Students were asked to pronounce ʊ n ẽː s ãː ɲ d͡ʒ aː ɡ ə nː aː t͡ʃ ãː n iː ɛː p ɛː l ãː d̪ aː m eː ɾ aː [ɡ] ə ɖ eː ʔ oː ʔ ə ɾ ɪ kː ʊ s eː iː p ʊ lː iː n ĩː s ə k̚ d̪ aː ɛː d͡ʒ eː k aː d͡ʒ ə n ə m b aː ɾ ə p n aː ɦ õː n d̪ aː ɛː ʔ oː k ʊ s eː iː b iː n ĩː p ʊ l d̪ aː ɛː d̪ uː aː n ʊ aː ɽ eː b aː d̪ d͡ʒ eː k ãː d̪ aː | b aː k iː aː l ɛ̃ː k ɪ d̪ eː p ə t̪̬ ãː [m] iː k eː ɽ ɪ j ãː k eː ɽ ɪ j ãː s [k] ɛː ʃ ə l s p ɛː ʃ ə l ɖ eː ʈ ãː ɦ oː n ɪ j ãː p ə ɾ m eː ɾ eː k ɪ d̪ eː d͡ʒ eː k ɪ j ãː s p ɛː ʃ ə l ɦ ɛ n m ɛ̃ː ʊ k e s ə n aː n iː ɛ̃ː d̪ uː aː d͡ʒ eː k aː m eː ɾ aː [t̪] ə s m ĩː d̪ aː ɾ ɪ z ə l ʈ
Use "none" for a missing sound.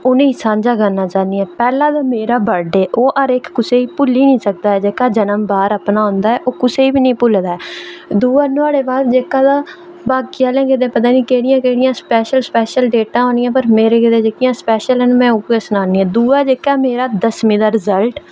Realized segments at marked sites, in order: b, n, p, d̪

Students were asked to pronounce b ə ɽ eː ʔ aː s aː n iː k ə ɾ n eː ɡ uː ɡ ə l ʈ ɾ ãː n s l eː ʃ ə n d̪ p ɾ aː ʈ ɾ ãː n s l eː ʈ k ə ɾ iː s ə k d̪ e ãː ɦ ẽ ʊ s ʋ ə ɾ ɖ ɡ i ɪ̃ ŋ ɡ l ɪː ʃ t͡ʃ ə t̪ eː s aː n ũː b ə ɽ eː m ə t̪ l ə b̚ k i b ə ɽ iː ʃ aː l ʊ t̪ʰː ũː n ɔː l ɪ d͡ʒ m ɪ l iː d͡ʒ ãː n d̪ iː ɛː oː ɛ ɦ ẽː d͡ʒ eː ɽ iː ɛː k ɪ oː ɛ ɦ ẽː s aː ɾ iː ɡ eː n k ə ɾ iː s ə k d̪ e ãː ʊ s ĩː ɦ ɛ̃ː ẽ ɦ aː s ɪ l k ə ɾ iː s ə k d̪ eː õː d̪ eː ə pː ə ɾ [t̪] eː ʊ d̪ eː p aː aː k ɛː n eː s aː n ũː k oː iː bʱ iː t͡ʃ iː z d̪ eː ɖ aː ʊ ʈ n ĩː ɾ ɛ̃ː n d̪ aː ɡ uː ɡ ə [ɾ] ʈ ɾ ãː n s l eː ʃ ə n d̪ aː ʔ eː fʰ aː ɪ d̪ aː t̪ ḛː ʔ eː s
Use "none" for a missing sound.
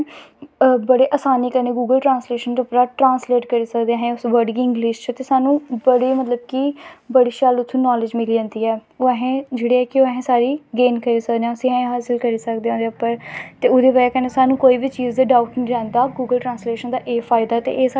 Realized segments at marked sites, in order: t̪, l

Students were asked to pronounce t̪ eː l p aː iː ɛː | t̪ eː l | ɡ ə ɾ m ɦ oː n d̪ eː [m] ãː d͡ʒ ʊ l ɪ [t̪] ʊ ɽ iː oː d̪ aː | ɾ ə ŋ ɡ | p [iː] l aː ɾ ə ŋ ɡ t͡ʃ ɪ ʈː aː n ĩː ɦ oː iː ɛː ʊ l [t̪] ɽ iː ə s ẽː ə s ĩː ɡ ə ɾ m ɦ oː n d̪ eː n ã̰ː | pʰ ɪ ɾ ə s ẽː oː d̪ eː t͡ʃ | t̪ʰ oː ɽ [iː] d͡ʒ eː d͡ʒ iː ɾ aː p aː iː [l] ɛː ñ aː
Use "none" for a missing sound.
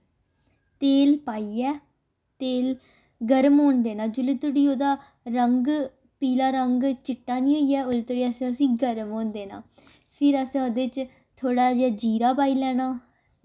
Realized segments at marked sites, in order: n, t̪, iː, t̪, aː, l

